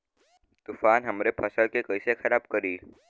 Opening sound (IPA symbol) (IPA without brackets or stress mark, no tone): t̪